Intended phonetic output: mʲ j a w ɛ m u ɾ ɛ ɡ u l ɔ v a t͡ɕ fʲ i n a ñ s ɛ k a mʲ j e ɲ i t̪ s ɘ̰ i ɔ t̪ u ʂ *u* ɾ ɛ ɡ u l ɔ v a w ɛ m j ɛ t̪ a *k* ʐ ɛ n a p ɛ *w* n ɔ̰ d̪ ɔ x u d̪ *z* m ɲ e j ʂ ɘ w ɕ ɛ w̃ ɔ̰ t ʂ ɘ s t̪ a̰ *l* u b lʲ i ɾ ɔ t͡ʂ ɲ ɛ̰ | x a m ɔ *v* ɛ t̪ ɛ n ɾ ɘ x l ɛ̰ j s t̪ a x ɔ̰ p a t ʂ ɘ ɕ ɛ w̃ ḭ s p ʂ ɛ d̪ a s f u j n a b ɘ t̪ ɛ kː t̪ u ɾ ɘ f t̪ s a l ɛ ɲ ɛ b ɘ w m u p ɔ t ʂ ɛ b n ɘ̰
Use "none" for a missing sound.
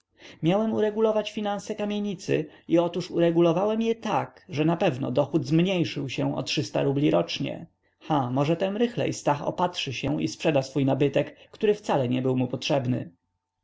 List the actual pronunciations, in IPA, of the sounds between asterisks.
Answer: u, k, v, z, ɾ, ʐ

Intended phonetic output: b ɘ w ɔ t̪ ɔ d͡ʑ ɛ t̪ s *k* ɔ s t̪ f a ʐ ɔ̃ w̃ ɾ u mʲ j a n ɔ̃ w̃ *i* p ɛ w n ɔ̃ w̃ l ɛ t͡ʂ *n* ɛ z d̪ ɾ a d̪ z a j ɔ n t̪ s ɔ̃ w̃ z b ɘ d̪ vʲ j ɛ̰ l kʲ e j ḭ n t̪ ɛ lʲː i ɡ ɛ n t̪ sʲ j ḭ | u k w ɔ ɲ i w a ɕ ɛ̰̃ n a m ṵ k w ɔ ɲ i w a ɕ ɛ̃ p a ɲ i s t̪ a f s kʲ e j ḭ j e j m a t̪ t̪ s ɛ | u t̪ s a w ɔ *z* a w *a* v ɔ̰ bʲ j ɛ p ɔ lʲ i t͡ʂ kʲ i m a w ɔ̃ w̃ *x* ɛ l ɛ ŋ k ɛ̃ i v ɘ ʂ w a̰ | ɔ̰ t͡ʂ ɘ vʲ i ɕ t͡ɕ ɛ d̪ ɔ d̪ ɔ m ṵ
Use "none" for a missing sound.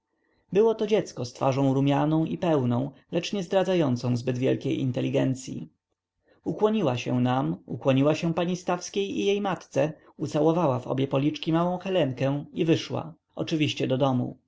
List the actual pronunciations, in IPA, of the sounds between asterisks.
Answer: k, i, ɲ, v, a, x

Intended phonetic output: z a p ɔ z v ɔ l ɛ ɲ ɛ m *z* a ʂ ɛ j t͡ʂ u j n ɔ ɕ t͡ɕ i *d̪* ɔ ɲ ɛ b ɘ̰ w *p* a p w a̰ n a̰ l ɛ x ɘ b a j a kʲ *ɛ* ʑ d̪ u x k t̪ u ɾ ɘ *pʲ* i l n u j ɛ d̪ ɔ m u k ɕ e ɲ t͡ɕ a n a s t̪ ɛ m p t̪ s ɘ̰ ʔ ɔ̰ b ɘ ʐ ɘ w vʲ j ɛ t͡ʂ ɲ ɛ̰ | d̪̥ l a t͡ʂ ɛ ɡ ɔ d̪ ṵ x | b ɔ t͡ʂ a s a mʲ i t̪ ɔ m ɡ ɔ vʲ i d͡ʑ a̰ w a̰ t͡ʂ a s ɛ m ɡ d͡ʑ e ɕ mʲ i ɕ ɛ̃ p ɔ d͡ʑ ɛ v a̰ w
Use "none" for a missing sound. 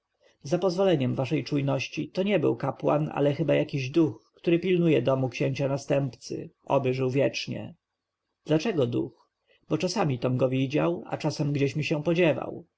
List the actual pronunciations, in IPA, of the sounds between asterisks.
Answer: v, t̪, k, i, pʲ

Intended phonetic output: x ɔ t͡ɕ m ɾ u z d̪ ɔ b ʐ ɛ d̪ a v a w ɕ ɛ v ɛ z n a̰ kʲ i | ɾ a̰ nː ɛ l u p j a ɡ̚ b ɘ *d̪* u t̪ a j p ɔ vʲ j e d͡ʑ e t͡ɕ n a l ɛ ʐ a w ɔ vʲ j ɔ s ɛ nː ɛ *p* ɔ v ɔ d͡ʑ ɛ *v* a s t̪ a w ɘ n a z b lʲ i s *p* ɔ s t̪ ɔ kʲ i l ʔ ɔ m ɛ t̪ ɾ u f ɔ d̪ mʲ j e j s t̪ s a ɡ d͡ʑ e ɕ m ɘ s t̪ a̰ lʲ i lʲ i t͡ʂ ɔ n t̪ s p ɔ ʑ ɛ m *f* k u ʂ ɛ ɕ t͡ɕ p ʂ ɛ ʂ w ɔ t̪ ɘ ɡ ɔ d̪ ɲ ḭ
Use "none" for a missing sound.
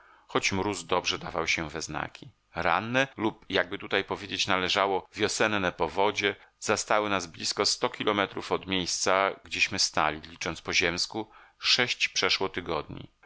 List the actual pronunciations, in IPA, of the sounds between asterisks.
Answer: t̪, p, z, k, s

